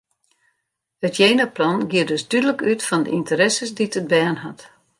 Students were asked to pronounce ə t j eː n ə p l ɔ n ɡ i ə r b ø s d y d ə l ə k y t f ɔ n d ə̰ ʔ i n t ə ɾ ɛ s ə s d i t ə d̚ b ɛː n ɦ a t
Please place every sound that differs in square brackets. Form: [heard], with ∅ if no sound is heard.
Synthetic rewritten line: ə t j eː n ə p l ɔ n ɡ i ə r [d] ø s d y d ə l ə k y t f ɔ n d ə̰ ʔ i n t ə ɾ ɛ s ə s d i t ə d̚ b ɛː n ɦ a t